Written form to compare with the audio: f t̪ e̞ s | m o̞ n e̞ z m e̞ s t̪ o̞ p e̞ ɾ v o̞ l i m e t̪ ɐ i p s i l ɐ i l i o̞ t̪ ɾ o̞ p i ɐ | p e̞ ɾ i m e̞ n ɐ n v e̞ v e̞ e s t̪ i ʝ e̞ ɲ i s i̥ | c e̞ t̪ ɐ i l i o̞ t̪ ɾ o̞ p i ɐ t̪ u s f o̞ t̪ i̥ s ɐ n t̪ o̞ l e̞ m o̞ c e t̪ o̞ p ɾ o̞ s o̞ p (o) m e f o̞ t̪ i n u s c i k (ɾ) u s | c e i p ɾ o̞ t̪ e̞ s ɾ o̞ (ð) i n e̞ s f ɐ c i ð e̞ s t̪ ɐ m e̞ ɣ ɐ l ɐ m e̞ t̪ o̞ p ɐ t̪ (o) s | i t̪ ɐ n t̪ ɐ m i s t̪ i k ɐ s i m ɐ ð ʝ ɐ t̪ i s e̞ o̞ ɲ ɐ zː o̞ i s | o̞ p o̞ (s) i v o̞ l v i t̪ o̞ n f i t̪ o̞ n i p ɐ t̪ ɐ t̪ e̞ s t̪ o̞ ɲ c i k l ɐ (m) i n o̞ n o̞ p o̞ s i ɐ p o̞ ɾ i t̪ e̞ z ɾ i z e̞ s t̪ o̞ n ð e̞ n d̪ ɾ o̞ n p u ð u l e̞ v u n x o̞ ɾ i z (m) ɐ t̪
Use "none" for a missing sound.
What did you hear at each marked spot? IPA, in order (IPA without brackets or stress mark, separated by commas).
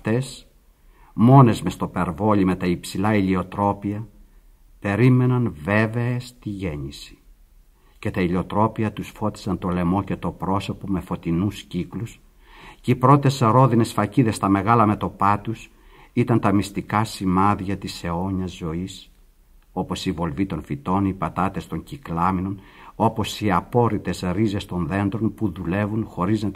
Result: o, l, ð, u, s, m, n